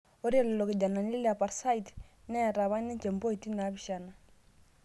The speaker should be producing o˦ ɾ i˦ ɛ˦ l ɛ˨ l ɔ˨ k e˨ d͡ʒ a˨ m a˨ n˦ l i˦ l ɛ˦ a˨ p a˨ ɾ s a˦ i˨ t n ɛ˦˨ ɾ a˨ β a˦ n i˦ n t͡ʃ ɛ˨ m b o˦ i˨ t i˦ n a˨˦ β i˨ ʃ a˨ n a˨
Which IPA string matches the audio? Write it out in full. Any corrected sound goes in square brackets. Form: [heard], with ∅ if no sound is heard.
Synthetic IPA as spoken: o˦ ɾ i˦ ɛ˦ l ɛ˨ l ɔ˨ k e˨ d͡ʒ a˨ [n] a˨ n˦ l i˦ l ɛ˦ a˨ p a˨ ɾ s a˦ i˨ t n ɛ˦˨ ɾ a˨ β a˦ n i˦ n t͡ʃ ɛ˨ m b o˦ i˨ t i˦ n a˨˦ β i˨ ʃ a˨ n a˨